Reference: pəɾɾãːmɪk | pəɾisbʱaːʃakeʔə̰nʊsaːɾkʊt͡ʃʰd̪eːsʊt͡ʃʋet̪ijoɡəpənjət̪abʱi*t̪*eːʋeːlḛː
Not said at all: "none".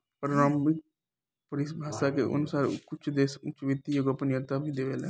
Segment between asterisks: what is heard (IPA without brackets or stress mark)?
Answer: d̪